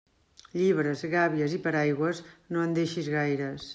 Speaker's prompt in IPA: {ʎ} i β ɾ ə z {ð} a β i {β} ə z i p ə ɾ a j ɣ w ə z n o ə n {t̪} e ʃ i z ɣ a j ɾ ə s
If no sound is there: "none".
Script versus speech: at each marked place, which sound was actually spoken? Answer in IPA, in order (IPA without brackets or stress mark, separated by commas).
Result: ʎ, ɣ, none, d̪